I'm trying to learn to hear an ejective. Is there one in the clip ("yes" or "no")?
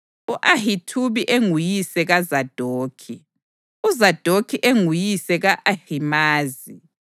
no